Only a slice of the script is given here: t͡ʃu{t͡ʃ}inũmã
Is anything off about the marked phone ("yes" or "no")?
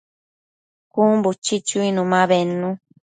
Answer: yes